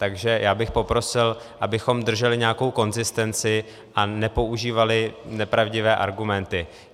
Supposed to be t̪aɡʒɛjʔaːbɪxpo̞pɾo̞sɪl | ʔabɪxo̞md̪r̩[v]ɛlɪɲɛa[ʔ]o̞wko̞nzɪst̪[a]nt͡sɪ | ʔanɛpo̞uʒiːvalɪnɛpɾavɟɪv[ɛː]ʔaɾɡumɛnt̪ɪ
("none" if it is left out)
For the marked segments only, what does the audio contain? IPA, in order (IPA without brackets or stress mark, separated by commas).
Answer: ʒ, k, ɛ, ɛː